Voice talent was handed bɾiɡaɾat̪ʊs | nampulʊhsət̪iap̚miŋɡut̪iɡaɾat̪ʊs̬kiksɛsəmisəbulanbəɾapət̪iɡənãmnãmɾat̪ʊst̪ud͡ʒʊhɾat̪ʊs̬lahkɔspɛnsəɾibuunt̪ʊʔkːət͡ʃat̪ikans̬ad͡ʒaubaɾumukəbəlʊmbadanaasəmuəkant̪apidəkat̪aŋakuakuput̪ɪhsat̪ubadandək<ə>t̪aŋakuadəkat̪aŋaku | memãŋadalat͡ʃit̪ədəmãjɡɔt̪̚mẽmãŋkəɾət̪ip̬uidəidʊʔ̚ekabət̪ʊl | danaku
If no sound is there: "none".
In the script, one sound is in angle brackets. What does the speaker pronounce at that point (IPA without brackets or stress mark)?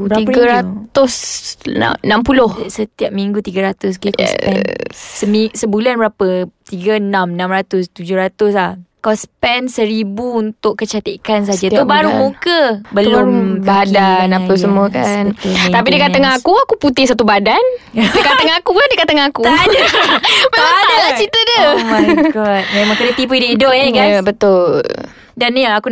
a